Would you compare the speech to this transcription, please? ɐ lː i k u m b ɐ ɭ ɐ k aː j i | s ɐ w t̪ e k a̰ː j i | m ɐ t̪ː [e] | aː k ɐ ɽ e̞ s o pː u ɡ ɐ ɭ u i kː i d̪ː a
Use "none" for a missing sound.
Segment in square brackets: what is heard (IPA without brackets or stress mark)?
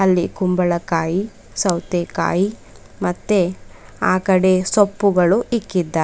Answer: e